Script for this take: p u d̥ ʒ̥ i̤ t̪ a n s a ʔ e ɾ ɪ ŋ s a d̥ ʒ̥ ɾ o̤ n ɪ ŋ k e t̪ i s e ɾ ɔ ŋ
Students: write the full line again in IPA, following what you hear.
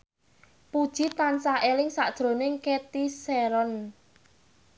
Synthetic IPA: p u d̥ ʒ̥ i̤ t̪ a n s a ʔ e l ɪ ŋ s a d̥ ʒ̥ ɾ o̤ n ɪ ŋ k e t̪ i s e ɾ ɔ n